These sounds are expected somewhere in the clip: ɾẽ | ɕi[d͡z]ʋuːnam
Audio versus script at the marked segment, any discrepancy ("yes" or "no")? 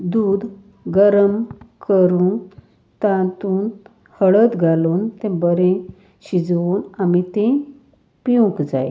no